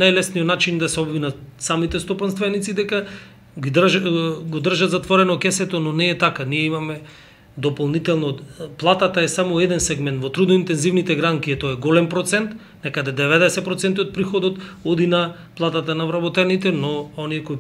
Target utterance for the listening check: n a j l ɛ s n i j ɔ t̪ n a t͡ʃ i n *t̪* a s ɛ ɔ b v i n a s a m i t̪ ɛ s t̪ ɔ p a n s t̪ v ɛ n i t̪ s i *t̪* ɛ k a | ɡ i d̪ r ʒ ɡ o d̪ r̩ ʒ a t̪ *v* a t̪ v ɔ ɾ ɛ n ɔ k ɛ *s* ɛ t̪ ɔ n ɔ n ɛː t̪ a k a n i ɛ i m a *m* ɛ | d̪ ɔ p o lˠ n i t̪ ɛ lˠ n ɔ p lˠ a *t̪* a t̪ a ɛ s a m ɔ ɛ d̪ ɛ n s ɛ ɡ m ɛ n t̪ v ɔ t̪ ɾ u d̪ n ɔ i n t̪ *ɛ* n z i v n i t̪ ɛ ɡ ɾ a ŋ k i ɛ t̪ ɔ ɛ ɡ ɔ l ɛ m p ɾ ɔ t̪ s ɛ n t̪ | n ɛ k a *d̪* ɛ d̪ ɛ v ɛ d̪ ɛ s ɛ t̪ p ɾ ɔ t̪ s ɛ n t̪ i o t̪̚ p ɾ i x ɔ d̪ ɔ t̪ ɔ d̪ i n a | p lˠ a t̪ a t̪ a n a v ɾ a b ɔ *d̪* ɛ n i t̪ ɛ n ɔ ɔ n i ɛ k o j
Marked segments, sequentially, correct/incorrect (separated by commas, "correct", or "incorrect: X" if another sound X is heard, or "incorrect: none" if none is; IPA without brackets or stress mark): incorrect: d̪, incorrect: d̪, incorrect: z, correct, correct, correct, correct, correct, incorrect: t̪